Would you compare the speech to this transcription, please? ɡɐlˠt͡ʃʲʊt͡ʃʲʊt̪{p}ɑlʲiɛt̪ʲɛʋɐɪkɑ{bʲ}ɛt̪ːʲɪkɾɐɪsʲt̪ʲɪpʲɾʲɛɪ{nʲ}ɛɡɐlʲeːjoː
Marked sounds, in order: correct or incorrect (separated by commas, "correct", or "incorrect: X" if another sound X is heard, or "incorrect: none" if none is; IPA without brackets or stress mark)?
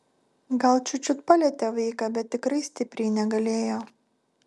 correct, correct, correct